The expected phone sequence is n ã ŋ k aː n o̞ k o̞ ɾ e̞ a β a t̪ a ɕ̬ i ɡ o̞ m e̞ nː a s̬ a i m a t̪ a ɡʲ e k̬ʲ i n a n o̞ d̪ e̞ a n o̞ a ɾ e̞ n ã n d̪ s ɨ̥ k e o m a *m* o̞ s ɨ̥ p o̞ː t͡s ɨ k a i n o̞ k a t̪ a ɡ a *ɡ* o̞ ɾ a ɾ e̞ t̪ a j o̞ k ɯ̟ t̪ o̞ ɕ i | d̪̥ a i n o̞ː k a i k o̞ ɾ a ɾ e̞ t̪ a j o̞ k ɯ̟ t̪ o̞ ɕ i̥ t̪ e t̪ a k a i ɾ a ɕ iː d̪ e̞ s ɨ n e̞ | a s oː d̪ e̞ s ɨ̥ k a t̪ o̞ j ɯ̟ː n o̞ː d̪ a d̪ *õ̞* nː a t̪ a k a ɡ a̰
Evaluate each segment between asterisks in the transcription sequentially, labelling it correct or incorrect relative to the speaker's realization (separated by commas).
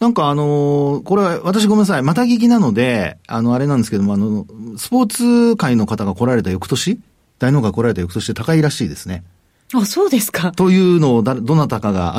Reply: incorrect, incorrect, incorrect